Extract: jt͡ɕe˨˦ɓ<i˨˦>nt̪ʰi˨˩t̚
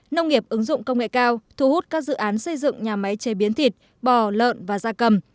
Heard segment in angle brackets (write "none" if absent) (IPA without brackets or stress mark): i˨˦